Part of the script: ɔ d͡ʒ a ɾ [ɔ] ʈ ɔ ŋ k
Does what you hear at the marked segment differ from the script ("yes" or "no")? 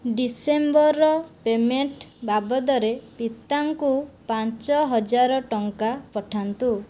no